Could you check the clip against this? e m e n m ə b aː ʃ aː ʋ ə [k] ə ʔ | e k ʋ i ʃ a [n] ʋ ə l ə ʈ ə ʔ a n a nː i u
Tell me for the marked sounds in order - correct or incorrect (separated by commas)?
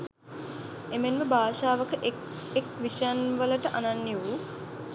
correct, correct